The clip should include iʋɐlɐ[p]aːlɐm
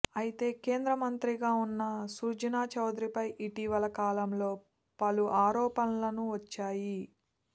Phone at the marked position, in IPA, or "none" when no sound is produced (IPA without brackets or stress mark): k